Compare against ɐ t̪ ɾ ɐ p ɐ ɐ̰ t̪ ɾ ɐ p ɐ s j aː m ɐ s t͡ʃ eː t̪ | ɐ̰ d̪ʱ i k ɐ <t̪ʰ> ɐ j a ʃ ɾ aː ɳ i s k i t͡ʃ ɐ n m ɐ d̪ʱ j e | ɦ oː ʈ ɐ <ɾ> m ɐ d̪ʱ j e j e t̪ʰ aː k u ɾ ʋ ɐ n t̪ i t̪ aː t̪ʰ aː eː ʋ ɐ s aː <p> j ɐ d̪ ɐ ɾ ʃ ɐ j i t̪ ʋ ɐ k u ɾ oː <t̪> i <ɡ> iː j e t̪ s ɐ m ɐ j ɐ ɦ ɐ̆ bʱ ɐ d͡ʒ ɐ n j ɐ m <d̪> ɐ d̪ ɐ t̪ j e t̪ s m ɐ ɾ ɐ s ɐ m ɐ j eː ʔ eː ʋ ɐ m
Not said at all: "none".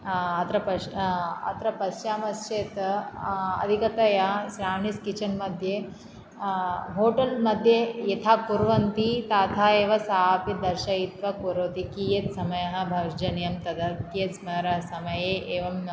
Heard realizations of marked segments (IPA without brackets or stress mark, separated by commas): t̪, l, p, t̪, k, t̪